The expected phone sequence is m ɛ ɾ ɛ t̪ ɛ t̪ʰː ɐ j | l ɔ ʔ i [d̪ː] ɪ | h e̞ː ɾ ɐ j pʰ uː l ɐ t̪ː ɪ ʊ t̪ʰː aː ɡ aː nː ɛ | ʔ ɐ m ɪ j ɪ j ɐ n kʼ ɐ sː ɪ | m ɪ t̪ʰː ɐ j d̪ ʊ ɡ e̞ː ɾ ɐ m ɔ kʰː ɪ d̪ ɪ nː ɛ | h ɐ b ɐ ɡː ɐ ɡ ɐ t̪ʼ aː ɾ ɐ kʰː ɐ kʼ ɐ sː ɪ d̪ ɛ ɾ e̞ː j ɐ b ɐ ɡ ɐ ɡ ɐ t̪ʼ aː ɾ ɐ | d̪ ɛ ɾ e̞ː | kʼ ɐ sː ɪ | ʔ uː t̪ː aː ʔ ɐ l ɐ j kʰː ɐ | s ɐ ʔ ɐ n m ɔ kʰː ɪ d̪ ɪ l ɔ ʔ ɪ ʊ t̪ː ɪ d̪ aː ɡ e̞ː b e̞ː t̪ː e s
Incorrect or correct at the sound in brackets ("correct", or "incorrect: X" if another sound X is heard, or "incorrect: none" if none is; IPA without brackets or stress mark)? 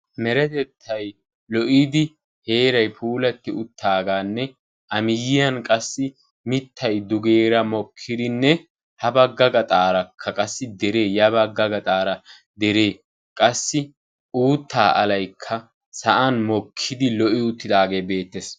incorrect: d̪